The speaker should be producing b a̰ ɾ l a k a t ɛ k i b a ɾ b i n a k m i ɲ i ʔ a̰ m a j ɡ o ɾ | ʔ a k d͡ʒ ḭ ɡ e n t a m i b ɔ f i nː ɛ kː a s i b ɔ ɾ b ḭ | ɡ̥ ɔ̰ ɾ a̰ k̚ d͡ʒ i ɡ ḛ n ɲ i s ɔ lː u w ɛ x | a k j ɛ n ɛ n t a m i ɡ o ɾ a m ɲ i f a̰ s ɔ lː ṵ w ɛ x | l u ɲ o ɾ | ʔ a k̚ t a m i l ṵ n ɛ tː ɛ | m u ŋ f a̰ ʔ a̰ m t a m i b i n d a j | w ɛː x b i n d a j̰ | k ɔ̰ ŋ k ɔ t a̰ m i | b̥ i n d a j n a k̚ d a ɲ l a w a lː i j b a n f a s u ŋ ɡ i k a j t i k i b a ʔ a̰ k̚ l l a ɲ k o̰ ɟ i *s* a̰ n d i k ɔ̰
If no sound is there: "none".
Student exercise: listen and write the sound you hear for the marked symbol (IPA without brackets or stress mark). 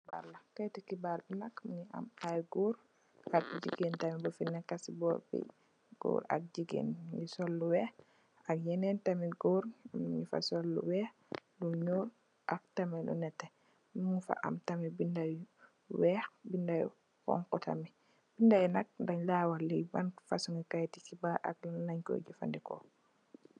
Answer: f